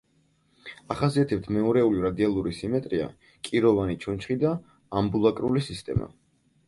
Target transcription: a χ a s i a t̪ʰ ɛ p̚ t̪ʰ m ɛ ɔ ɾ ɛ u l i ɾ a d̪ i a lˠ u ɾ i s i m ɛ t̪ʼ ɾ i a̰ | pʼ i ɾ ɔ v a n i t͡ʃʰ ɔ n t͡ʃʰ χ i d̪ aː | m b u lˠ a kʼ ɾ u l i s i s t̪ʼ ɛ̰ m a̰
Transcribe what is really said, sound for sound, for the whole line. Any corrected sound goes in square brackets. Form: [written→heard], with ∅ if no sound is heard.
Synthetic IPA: a χ a s i a t̪ʰ ɛ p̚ t̪ʰ m ɛ ɔ ɾ ɛ u l i ɾ a d̪ i a lˠ u ɾ i s i m ɛ t̪ʼ ɾ i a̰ | [pʼ→kʼ] i ɾ ɔ v a n i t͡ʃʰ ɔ n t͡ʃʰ χ i d̪ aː | m b u lˠ a kʼ ɾ u l i s i s t̪ʼ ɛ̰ m a̰